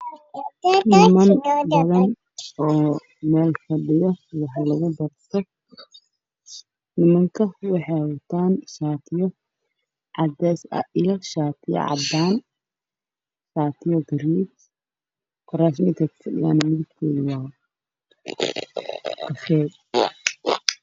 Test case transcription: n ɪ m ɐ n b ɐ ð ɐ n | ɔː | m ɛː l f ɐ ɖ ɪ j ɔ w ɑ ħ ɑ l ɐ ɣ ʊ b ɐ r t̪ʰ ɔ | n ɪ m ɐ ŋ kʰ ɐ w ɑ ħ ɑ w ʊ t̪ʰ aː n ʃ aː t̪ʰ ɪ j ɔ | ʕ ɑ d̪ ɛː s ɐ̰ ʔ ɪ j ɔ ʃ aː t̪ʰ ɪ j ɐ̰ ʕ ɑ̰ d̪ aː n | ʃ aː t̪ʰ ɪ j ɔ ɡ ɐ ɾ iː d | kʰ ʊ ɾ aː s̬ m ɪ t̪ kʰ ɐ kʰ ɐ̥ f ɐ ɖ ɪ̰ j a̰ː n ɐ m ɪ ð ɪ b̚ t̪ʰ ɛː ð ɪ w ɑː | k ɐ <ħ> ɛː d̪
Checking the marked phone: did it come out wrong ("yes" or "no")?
yes